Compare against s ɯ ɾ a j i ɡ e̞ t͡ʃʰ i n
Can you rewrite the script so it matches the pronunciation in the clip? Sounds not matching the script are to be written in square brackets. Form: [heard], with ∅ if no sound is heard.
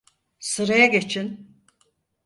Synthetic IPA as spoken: s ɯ ɾ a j [a] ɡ e̞ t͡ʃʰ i n